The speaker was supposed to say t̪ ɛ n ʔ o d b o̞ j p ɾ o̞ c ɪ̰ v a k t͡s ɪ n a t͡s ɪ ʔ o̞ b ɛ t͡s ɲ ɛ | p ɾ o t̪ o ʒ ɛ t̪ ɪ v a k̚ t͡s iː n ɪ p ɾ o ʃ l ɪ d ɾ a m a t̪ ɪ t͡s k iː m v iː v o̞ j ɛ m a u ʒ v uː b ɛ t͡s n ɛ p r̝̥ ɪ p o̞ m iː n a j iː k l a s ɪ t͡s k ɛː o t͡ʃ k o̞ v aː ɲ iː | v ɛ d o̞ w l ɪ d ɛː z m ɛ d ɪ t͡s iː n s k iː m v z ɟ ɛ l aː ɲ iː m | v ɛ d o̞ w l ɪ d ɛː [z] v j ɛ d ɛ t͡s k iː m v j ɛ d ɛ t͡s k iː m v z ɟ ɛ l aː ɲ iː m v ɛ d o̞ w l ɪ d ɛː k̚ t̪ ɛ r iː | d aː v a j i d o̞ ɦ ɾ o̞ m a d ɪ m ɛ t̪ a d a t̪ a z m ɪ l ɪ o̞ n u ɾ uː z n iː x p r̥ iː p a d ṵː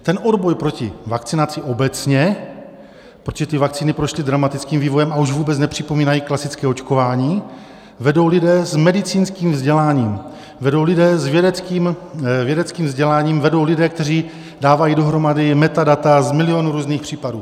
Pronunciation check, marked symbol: correct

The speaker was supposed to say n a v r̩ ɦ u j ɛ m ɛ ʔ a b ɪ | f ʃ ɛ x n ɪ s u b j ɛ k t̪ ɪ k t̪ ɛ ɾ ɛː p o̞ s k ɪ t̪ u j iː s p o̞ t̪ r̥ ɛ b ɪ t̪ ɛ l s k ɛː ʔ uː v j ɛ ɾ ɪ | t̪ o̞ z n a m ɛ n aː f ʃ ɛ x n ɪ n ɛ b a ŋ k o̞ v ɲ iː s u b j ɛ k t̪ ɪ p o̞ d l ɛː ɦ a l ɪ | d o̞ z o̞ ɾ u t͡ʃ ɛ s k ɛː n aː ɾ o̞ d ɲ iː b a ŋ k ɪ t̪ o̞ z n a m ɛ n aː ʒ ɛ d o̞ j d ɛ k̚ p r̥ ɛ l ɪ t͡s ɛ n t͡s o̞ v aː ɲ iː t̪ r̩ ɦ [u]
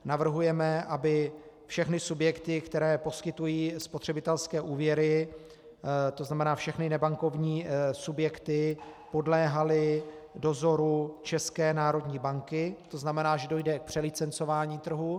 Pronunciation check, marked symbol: correct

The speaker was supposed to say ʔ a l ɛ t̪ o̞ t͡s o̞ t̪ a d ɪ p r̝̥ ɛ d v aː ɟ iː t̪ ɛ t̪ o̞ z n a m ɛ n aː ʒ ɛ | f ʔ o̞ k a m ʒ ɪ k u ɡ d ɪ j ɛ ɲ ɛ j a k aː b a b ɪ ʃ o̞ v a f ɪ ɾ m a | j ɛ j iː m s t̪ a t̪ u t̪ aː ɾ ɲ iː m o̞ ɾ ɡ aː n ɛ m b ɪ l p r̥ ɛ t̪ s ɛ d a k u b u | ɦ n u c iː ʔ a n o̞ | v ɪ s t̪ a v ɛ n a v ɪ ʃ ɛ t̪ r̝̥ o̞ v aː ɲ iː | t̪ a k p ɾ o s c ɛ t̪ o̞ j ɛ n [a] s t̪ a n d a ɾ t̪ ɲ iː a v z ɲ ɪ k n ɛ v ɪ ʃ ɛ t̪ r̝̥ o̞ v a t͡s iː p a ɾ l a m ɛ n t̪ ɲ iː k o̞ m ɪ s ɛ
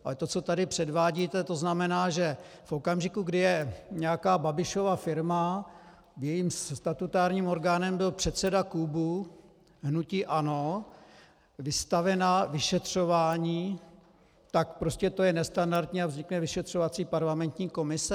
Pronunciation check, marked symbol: incorrect: ɛ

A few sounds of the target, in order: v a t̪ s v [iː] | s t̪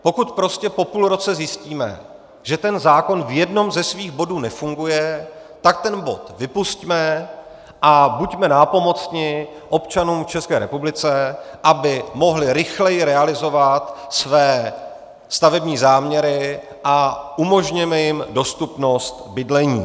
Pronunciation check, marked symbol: incorrect: ɛː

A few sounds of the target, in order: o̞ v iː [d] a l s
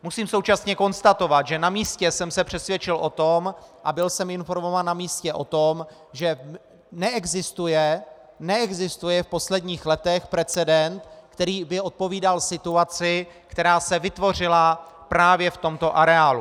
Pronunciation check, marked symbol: correct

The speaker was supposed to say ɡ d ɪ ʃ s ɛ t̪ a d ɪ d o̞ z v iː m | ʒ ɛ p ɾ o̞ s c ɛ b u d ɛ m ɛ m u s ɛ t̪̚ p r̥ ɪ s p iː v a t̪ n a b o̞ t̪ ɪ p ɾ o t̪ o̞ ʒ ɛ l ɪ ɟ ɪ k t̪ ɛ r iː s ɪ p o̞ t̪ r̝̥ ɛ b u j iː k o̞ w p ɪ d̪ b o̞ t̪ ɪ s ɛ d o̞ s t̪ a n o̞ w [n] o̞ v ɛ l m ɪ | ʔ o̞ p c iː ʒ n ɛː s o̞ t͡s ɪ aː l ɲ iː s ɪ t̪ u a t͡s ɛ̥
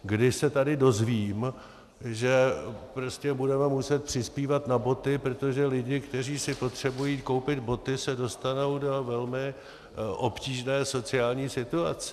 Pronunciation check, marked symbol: incorrect: d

